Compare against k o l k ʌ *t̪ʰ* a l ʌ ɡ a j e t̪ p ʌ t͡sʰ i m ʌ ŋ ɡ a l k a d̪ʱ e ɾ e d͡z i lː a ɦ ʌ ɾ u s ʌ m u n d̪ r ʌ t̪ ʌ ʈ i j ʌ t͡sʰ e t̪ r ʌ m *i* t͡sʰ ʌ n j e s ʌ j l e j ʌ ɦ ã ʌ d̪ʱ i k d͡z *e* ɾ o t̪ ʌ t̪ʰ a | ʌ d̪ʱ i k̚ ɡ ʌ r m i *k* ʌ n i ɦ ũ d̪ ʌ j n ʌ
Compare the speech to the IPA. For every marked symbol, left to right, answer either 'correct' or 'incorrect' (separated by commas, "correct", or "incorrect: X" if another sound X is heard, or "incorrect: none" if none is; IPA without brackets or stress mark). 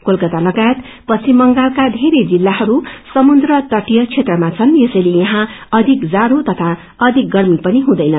incorrect: t̪, incorrect: a, incorrect: a, incorrect: p